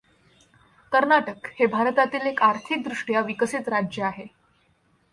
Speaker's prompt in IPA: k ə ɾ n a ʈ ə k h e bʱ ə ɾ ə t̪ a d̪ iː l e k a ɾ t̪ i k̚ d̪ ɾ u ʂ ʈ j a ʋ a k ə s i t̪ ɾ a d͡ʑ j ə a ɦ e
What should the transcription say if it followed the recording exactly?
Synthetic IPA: k ə ɾ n a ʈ ə k h e bʱ a ɾ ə t̪ a t̪ iː l e k a ɾ t̪ʰ i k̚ d̪ ɾ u ʂ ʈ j a ʋ i k ə s i t̪ ɾ a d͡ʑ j ə a ɦ e